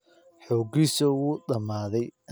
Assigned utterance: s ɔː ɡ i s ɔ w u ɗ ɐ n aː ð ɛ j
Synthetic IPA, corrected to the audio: ħ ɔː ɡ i s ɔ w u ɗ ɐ m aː ð ɛ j